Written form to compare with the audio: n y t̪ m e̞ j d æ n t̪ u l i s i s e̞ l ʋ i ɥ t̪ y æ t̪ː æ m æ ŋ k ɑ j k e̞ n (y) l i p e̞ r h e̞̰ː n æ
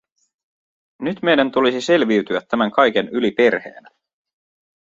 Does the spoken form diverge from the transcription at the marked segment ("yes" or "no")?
no